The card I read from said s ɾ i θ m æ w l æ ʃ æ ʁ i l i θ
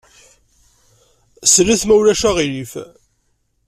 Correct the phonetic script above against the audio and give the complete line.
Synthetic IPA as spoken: s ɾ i θ m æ w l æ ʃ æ ʁ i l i f